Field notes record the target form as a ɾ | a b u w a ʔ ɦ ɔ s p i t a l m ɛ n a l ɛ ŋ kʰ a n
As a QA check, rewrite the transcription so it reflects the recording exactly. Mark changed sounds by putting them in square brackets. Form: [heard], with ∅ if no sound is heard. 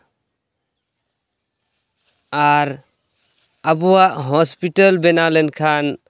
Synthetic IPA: a ɾ | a b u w a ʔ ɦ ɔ s p i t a l [b] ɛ n a l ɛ [n] kʰ a n

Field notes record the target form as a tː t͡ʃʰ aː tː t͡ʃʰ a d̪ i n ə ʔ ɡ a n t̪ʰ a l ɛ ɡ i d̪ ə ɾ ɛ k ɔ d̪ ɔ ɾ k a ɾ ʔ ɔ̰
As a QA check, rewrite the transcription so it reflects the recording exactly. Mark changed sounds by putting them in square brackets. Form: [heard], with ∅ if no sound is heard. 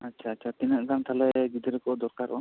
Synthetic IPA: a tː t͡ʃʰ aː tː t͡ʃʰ a [t̪] i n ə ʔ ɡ a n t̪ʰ a l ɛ ɡ i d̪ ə ɾ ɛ k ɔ d̪ ɔ ɾ k a ɾ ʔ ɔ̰

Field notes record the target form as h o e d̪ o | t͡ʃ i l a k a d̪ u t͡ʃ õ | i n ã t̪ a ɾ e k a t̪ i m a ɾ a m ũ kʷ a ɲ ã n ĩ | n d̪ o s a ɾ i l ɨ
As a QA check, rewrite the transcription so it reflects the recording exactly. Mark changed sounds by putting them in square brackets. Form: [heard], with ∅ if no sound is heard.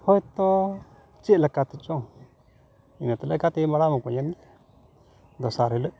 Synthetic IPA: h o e [t̪] o | t͡ʃ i l a k a [t̪] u t͡ʃ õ | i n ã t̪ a [l] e k a t̪ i m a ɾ a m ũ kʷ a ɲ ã n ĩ | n d̪ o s a ɾ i l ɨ

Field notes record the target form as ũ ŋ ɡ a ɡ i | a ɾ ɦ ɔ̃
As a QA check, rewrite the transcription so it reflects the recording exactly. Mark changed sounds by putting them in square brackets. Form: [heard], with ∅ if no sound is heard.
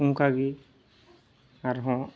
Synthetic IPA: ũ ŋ [k] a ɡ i | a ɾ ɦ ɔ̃

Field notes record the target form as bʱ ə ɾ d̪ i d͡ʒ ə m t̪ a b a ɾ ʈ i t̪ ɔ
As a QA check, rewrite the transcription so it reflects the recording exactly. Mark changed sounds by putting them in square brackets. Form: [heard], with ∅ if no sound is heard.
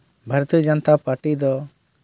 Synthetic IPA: bʱ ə ɾ [t̪] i d͡ʒ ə [n] t̪ a [p] a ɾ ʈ i [d̪] ɔ

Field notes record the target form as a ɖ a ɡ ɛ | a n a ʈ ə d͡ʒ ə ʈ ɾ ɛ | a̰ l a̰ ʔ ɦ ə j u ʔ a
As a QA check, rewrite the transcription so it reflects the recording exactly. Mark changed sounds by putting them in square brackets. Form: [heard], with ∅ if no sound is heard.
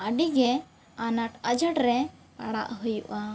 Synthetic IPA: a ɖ [i] ɡ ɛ | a n a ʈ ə d͡ʒ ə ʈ ɾ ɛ | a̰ [ɽ] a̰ ʔ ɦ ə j u ʔ a

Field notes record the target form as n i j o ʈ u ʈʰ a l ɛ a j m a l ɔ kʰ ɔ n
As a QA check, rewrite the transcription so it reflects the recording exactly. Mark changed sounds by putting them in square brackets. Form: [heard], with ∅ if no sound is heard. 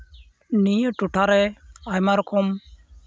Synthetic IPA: n i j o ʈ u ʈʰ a [ɾ] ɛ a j m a [ɾ] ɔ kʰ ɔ [m]

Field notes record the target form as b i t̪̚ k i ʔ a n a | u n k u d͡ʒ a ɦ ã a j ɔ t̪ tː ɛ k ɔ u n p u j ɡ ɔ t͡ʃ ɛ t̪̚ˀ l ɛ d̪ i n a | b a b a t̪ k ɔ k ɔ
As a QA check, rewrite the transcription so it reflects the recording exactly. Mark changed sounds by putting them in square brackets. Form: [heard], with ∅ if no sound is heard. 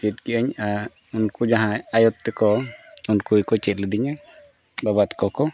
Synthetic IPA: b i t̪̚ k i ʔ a [ɲ] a | u n k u d͡ʒ a ɦ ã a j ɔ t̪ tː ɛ k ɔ u n [k] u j [k] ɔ t͡ʃ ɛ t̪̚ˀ l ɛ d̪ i [ɲ] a | b a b a t̪ k ɔ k ɔ

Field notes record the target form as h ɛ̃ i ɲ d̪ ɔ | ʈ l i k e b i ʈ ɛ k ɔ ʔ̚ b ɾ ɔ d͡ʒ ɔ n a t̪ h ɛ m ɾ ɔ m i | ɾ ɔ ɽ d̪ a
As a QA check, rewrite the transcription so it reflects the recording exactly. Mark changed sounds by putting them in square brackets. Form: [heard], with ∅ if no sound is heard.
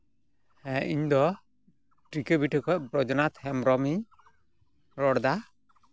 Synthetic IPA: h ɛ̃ i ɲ d̪ ɔ | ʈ [ɾ] i k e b i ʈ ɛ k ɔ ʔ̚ b ɾ ɔ d͡ʒ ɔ n a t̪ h ɛ m ɾ ɔ m i | ɾ ɔ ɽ d̪ a

